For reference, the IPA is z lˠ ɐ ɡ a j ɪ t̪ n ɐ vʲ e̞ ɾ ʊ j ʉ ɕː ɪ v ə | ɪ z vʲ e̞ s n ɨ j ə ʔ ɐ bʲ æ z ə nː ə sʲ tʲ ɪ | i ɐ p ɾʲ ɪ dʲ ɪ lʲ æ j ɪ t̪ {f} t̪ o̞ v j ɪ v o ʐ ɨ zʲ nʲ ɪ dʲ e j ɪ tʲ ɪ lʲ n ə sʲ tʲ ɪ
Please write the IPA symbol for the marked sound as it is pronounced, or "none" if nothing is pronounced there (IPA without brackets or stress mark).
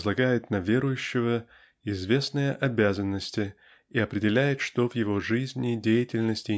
ʂ